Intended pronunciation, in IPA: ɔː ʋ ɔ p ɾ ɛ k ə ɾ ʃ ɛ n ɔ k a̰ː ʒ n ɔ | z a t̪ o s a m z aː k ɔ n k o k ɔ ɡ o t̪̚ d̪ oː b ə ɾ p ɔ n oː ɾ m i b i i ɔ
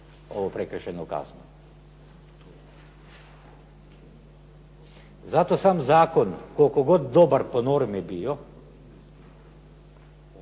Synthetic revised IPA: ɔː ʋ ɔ p ɾ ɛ k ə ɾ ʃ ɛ n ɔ k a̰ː z n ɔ | z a t̪ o s a m z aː k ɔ n k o k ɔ ɡ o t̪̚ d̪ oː b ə ɾ p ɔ n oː ɾ m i b i j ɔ